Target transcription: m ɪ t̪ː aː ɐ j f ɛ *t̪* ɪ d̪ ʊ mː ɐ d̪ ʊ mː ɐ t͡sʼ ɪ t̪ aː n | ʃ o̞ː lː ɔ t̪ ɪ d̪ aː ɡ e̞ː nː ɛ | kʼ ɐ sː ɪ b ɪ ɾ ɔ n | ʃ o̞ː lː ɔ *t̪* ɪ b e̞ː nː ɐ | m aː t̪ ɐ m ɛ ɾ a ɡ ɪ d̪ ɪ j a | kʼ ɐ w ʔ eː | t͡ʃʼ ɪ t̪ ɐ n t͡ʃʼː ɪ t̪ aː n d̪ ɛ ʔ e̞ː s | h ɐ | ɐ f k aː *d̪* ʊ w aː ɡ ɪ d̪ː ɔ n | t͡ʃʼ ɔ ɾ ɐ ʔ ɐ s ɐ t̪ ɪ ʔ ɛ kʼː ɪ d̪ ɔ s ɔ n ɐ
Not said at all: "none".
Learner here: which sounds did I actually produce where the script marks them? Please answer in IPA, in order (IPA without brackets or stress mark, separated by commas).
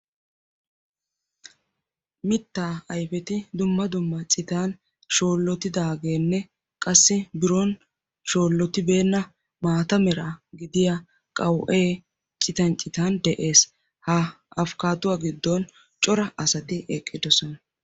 t̪, t̪, t̪